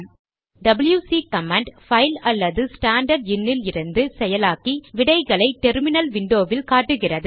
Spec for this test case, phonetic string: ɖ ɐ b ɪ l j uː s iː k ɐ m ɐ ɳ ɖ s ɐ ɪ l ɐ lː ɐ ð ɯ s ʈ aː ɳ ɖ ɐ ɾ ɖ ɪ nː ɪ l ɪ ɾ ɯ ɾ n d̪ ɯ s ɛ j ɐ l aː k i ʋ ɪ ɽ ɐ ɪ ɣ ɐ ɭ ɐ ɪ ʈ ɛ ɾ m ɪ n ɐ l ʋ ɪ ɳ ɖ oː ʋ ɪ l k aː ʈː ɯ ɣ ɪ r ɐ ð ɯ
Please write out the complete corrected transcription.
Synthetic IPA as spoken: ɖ ɐ b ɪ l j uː s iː k ɐ m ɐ ɳ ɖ f ɐ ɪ l ɐ lː ɐ ð ɯ s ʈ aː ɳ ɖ ɐ ɾ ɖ ɪ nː ɪ l ɪ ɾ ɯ n d̪ ɯ s ɛ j ɐ l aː k i ʋ ɪ ɽ ɐ ɪ ɣ ɐ ɭ ɐ ɪ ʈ ɛ ɾ m ɪ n ɐ l ʋ ɪ ɳ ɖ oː ʋ ɪ l k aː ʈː ɯ ɣ ɪ r ɐ ð ɯ